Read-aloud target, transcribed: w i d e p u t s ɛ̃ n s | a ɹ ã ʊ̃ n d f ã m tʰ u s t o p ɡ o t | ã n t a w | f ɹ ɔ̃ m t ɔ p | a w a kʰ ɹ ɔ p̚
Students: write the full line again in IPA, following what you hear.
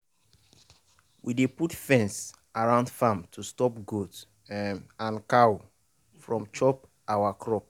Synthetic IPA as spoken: w i d e p u t f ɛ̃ n s | a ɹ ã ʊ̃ n d f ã m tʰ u s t ɔ p ɡ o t | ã n k a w | f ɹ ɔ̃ m t͡ʃ ɔ p | a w a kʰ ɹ ɔ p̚

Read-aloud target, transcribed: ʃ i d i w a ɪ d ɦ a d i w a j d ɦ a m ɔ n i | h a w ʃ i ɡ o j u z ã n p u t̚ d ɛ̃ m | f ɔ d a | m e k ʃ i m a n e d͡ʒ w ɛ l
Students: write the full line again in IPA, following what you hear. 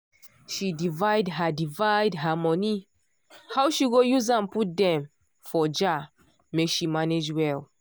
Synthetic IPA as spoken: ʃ i d i v a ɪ d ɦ a d i v a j d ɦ a m ɔ n i | h a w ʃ i ɡ o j u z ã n p u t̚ d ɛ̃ m | f ɔ d͡ʒ a | m e k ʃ i m a n e d͡ʒ w ɛ l

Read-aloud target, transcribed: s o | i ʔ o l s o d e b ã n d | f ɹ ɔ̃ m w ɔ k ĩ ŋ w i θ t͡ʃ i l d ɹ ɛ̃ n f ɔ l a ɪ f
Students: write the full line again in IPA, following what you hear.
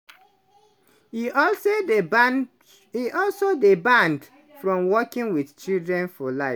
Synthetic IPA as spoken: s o | i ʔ ɔ l s o d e b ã n d | f ɹ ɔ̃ m w ɔ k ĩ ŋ w i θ t͡ʃ i l d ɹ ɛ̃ n f ɔ l a ɪ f

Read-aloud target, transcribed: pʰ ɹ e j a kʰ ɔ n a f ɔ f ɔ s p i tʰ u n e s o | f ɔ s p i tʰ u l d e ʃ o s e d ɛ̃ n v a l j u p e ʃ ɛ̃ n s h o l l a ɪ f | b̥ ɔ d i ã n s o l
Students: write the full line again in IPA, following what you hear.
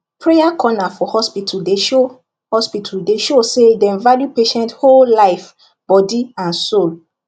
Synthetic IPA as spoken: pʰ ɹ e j a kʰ ɔ n a f ɔ h ɔ s p i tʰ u d e ʃ o | h ɔ s p i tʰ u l d e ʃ o s e d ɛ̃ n v a l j u p e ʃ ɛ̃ n t h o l l a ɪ f | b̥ ɔ d i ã n s o l

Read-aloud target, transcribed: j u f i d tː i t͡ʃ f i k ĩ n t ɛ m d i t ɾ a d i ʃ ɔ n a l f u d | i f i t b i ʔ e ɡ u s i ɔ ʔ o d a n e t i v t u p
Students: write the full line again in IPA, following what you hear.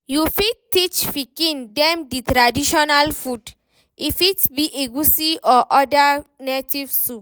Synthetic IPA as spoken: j u f i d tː i t͡ʃ f i k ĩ n d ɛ m d i t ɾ a d i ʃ ɔ n a l f u d | i f i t b i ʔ e ɡ u s i ɔ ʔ ɔ d a n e t i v s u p

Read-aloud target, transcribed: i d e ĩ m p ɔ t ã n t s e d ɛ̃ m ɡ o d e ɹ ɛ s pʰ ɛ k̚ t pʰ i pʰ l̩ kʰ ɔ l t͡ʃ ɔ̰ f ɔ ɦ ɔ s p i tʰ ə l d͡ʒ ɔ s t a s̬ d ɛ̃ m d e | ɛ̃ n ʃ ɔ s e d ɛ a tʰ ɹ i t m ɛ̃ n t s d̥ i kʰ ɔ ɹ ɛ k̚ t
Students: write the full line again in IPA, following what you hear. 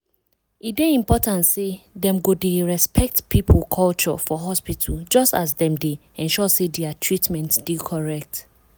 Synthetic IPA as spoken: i d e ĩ m p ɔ t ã n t s e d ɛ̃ m ɡ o d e ɹ ɛ s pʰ ɛ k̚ t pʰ i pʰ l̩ kʰ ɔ l t͡ʃ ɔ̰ f ɔ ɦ ɔ s p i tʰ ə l d͡ʒ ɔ s t a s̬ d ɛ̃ m d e | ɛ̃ n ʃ ɔ s e d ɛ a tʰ ɹ i t m ɛ̃ n t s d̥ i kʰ ɔ ɹ ɛ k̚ t

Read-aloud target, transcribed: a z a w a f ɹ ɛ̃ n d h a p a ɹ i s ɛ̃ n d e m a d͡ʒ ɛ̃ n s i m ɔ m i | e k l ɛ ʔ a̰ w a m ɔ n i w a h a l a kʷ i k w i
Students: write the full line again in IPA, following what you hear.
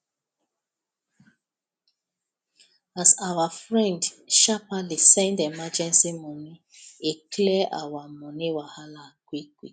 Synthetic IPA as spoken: a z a w a f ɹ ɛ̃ n d ʃ a p a l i s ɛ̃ n d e m a d͡ʒ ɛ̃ n s i m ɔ n i | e k l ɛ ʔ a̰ w a m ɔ n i w a h a l a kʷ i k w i

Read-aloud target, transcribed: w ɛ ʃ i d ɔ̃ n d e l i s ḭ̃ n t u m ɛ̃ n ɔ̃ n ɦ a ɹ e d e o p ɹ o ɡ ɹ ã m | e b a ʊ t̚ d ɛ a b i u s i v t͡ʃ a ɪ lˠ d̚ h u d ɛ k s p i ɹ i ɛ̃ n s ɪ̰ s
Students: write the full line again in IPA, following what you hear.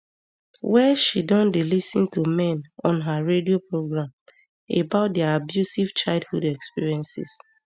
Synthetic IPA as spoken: w ɛ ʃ i d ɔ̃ n d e l i s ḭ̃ n t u m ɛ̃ n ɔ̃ n ɦ a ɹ e d i o p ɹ o ɡ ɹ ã m | e b a ʊ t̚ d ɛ a b j u s i v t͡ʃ a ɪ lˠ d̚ h u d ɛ k s p i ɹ i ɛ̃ n s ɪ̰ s

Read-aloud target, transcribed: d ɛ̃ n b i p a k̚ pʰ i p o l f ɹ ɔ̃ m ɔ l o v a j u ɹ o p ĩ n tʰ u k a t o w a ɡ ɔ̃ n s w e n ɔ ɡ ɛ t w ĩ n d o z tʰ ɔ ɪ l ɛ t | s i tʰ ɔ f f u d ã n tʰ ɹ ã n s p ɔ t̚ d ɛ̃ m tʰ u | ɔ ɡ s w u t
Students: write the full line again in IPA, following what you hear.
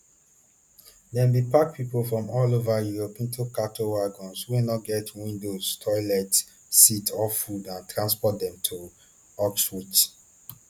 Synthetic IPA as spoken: d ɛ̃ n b i p a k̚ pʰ i p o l f ɹ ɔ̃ m ɔ l o v a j u ɹ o p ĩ n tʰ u k a t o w a ɡ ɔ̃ n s w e n ɔ ɡ ɛ t w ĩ n d o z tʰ ɔ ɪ l ɛ t | s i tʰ ɔ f f u d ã n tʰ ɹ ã n s p ɔ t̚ d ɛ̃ m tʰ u | ɔ k s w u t

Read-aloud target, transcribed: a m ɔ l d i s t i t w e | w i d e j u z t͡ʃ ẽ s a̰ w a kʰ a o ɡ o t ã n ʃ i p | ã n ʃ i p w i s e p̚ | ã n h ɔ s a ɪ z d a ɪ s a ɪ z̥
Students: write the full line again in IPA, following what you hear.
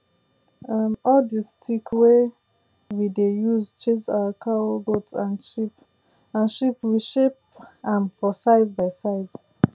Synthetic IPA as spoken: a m ɔ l d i s t i k w e | w i d e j u z t͡ʃ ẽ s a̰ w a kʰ a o ɡ o t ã n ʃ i p | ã n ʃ i p w i ʃ e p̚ | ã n f ɔ s a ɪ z b a ɪ s a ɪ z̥

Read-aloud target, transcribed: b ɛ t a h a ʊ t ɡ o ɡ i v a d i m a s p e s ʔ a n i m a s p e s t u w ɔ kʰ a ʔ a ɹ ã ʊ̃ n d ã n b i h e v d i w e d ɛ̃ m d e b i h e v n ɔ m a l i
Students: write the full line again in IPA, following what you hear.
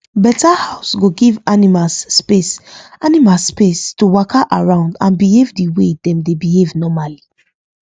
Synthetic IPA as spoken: b ɛ t a h a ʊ s ɡ o ɡ i v a n i m a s p e s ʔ a n i m a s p e s t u w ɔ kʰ a ʔ a ɹ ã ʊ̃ n d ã n b i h e v d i w e d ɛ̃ m d e b i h e v n ɔ m a l i

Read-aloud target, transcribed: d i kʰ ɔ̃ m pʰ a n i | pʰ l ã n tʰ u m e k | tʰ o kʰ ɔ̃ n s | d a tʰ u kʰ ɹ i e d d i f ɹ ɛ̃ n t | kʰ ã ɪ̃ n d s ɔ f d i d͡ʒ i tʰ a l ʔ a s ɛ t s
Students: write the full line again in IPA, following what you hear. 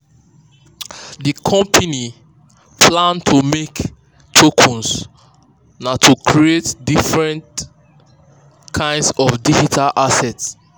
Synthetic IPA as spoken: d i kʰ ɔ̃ m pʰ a n i | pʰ l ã n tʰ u m e k | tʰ o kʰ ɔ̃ n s | n a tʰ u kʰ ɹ i e t d i f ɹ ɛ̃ n t | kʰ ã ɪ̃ n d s ɔ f d i d͡ʒ i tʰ a l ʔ a s ɛ t s

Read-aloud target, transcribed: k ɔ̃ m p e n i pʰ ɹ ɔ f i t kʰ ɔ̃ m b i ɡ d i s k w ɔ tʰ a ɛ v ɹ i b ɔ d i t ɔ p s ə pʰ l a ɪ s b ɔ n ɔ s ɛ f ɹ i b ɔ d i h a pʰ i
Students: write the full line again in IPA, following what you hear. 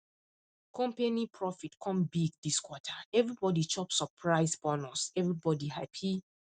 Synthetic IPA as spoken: k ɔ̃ m p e n i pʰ ɹ ɔ f i t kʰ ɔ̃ m b i ɡ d i s k w ɔ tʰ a ɛ v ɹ i b ɔ d i t͡ʃ ɔ p s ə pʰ ɹ a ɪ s b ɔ n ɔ s ɛ v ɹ i b ɔ d i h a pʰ i

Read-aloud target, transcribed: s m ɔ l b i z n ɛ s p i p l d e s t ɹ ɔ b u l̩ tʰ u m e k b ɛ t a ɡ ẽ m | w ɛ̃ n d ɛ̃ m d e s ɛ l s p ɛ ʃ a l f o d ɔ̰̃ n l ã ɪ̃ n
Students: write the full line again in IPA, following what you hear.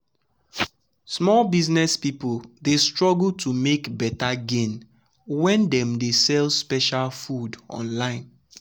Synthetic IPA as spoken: s m ɔ l b i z n ɛ s p i p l d e s t ɹ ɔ ɡ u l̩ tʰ u m e k b ɛ t a ɡ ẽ n | w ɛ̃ n d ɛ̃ m d e s ɛ l s p ɛ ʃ a l f u d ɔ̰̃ n l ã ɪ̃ n

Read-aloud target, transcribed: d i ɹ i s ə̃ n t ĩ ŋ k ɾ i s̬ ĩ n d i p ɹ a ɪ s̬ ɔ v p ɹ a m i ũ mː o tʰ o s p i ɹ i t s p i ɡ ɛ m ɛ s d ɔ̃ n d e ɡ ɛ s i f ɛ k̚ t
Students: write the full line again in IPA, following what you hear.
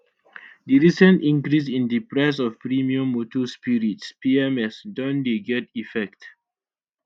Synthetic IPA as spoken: d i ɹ i s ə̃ n t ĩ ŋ k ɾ i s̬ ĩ n d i p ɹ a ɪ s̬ ɔ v p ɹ i m i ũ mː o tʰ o s p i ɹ i t s p i ɛ m ɛ s d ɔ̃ n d e ɡ ɛ t i f ɛ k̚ t

